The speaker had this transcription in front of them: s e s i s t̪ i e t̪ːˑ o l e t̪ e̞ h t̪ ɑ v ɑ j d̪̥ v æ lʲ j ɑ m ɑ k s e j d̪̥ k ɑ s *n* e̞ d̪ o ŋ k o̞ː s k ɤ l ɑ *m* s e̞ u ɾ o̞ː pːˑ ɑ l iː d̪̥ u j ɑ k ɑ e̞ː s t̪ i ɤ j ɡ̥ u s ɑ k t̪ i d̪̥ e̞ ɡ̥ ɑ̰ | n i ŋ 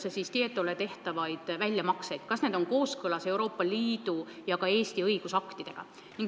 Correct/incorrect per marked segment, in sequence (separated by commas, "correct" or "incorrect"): correct, incorrect